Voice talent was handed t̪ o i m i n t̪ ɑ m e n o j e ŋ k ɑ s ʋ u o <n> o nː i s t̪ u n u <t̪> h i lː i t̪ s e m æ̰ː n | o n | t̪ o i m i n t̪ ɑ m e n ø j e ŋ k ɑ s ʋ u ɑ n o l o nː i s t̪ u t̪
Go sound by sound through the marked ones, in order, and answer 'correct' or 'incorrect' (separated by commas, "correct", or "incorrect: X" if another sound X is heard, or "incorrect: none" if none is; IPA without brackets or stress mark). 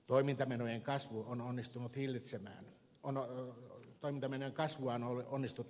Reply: correct, correct